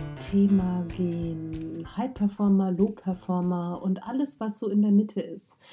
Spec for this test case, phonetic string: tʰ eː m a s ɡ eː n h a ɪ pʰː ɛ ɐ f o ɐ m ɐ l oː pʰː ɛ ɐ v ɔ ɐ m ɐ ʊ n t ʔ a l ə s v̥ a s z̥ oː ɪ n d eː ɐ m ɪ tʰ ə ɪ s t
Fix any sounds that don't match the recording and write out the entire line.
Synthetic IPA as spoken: tʰ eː m a ɡ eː n h a ɪ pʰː ɛ ɐ f ɔ ɐ m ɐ l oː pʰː ɛ ɐ f ɔ ɐ m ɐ ʊ n t ʔ a l ə s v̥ a s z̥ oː ɪ n d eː ɐ m ɪ tʰ ə ɪ s t